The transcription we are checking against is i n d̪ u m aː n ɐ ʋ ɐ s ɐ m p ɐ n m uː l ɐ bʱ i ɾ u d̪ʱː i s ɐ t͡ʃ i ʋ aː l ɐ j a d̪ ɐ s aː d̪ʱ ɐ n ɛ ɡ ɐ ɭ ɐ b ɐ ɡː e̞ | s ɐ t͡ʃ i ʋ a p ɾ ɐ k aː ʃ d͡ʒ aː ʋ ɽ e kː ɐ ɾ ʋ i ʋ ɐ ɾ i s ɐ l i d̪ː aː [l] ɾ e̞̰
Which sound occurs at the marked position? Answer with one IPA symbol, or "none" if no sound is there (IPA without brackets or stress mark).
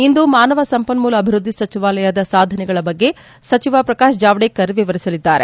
none